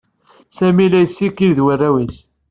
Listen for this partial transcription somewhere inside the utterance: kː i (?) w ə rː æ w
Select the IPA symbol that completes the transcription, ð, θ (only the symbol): ð